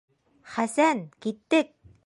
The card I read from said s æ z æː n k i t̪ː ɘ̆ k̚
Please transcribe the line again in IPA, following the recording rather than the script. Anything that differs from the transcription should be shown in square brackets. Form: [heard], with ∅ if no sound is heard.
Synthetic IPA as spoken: [χ] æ [s] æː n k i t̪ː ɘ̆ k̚

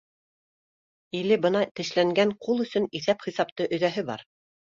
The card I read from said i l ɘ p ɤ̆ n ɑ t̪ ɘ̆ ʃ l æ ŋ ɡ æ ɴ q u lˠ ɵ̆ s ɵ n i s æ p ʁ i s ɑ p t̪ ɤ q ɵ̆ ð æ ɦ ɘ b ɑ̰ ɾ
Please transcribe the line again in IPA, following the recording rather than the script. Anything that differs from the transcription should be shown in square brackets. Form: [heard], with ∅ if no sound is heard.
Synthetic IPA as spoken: i l ɘ [b] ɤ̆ n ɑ t̪ ɘ̆ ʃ l æ ŋ ɡ æ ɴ q u lˠ ɵ̆ s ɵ n i [θ] æ p [χ] i s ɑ p t̪ ɤ [ʔ] ɵ̆ ð æ ɦ ɘ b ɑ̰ ɾ

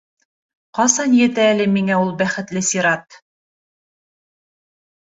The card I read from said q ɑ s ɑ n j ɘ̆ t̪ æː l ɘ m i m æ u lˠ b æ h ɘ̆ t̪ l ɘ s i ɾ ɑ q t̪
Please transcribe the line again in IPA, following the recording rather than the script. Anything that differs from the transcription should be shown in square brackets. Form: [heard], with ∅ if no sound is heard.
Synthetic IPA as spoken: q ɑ s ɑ n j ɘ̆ t̪ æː l ɘ m i [ŋ] æ u lˠ b æ [χ] ɘ̆ t̪ l ɘ s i ɾ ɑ [∅] t̪

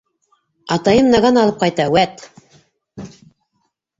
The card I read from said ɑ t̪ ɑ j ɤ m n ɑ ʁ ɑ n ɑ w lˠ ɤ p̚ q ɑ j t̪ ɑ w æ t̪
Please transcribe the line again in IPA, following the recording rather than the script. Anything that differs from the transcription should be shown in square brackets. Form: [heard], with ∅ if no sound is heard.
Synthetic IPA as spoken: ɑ t̪ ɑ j ɤ m n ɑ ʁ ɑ n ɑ [∅] lˠ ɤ p̚ q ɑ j t̪ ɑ w æ t̪

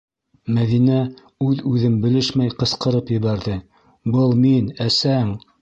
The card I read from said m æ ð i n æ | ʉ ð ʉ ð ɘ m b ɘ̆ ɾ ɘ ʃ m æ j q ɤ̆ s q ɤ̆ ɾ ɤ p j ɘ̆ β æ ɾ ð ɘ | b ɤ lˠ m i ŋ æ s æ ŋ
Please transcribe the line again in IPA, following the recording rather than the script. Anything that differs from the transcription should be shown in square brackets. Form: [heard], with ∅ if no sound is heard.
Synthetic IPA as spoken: m æ ð i n æ | ʉ ð ʉ ð ɘ m b ɘ̆ [l] ɘ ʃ m æ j q ɤ̆ s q ɤ̆ ɾ ɤ p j ɘ̆ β æ ɾ ð ɘ | b ɤ lˠ m i [n] æ s æ ŋ

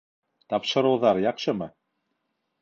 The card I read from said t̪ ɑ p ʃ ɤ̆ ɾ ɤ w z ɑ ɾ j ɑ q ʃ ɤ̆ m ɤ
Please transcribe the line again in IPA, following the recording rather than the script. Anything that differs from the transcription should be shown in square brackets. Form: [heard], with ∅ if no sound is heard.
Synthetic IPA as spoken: t̪ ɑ p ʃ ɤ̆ ɾ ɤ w [ð] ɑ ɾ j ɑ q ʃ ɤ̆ m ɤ

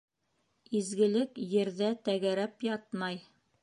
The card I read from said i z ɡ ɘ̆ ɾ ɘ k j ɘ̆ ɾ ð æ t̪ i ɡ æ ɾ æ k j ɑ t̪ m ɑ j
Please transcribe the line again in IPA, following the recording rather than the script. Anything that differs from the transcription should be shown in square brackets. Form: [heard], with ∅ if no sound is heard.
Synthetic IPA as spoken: i z ɡ ɘ̆ [l] ɘ k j ɘ̆ ɾ ð æ t̪ [æ] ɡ æ ɾ æ [p] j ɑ t̪ m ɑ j

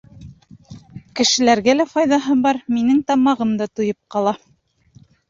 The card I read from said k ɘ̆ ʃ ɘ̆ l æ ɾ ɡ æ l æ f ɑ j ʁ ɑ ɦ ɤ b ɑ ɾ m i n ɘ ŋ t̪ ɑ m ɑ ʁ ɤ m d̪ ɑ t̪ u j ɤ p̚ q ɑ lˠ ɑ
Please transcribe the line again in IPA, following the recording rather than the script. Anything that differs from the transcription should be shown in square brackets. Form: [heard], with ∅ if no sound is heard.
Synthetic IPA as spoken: k ɘ̆ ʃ ɘ̆ l æ ɾ ɡ æ l æ f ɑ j [ð] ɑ ɦ ɤ b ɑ ɾ m i n ɘ ŋ t̪ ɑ m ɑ ʁ ɤ m d̪ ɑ t̪ u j ɤ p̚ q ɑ lˠ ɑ

